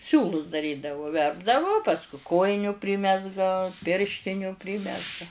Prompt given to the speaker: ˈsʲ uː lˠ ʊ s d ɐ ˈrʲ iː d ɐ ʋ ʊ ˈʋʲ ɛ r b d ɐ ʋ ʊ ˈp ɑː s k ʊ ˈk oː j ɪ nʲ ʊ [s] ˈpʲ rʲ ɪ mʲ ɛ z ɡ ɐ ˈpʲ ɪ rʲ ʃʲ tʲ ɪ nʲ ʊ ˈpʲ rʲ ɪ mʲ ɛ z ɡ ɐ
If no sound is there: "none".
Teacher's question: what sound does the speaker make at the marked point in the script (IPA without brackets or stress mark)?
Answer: none